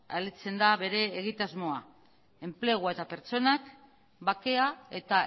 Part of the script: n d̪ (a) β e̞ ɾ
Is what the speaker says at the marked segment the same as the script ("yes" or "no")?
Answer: yes